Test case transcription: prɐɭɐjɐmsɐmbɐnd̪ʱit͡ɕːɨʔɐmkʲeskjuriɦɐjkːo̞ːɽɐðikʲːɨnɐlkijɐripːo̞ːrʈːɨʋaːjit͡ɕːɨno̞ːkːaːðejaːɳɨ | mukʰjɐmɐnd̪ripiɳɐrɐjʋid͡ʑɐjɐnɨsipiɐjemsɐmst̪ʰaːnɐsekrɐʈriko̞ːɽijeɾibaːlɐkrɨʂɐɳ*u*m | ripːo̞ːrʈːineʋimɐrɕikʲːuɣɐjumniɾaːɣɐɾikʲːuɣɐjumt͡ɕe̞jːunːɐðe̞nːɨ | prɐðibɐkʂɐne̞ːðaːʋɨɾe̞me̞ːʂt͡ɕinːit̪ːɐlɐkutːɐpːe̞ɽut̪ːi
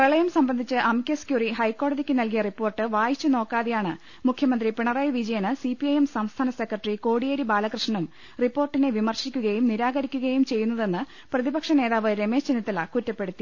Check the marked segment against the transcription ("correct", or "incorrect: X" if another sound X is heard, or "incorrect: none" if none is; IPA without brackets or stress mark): correct